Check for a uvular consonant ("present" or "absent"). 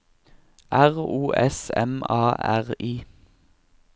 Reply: present